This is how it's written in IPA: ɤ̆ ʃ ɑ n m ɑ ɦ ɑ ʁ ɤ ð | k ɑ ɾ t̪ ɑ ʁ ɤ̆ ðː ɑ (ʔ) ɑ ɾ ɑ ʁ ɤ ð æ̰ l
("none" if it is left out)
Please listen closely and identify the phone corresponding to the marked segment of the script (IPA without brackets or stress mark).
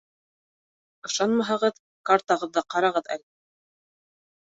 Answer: q